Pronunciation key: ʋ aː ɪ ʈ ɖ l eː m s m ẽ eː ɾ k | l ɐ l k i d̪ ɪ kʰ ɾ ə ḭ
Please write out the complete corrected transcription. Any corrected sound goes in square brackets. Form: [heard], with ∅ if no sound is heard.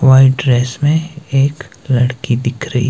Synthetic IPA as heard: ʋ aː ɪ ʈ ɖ [ɾ] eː [∅] s m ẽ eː [∅] k | l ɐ [ɽ] k i d̪ ɪ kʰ ɾ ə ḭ